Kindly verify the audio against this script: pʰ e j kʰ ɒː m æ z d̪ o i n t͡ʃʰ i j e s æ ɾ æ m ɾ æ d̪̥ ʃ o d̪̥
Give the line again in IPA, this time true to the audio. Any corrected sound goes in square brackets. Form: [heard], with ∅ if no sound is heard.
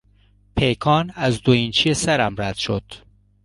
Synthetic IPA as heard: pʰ e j kʰ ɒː [n] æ z d̪ o i n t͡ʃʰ i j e s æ ɾ æ m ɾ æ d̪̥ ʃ o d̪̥